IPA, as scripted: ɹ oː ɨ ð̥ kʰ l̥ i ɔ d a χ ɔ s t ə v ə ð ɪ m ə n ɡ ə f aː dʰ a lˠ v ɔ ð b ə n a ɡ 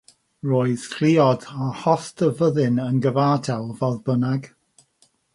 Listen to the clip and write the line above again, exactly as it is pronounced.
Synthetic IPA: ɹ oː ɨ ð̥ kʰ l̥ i ɔ d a h ɔ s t ə v ə ð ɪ n ə n ɡ ə v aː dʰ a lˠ v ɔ ð b ə n a ɡ